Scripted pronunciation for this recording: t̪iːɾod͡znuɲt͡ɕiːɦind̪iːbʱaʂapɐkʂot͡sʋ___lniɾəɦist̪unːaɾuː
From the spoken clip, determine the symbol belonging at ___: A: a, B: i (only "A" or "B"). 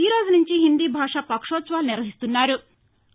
A